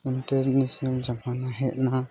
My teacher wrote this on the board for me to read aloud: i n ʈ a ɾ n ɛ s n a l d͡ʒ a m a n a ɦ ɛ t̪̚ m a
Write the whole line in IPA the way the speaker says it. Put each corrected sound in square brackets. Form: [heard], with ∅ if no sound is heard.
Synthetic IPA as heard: i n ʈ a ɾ n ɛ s n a l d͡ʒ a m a n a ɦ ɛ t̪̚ [n] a